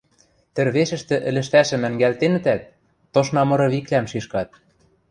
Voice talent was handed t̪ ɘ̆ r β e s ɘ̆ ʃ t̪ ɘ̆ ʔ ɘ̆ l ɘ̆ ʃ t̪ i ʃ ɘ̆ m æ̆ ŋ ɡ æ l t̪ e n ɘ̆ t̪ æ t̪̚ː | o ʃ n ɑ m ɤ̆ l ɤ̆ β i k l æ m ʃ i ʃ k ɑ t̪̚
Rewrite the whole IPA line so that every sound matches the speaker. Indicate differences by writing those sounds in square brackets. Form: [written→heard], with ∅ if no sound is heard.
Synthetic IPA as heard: t̪ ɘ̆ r β e [s→ʃ] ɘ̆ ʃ t̪ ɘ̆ ʔ ɘ̆ l ɘ̆ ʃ t̪ [i→æ] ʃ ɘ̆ m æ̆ ŋ ɡ æ l t̪ e n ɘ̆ t̪ æ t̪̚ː | o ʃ n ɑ m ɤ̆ [l→ɾ] ɤ̆ β i k l æ m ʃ i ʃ k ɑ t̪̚